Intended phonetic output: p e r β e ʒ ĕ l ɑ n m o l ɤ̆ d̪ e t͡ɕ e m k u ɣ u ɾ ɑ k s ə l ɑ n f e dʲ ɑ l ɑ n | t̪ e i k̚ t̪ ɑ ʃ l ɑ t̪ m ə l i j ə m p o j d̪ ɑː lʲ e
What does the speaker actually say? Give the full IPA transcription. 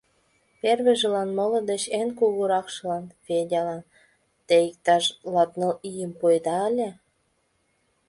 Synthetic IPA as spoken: p e r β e ʒ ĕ l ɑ n m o l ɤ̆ d̪ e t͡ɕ e n k u ɣ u ɾ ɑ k ʃ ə l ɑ n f e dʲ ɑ l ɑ n | t̪ e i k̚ t̪ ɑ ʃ l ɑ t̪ n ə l i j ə m p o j d̪ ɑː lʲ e